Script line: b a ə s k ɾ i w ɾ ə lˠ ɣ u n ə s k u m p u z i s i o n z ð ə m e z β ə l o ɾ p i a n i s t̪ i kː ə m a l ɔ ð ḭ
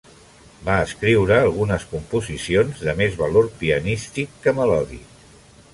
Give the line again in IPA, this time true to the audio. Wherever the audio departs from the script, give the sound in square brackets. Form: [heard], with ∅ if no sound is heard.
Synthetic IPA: b a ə s k ɾ i w ɾ [əː] lˠ ɣ u n ə s k u m p u z i s i o n z ð ə m e z β ə l o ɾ p i [ə] n i s t̪ i kː ə m [ə] l ɔ ð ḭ